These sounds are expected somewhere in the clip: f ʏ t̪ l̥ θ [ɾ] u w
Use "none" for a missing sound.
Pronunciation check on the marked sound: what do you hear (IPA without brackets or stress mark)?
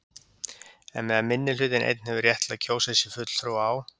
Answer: ɾ